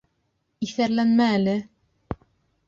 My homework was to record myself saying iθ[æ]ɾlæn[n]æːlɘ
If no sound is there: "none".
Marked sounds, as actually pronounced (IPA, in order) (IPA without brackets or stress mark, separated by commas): æ, m